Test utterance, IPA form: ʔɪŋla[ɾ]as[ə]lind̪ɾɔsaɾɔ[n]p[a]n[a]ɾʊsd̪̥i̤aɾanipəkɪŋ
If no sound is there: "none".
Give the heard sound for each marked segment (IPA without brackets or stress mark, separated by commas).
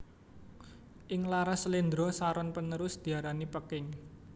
ɾ, ə, n, ə, ə